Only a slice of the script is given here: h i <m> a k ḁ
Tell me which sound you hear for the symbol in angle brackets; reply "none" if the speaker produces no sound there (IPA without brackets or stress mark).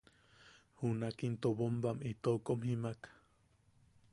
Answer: m